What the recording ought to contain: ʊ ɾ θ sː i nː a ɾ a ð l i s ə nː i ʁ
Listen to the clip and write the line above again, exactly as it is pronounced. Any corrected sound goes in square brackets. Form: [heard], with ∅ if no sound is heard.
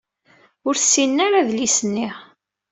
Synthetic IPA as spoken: ʊ ɾ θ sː i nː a ɾ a ð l i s ə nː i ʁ